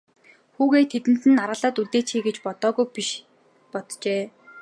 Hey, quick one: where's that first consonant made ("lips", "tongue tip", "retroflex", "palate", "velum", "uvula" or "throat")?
velum